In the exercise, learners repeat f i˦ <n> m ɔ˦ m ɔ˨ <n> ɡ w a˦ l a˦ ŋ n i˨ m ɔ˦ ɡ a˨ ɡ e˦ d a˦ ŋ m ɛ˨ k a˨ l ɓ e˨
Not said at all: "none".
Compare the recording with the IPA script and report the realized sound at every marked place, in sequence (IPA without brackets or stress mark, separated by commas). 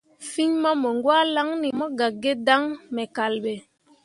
ɲ, ŋ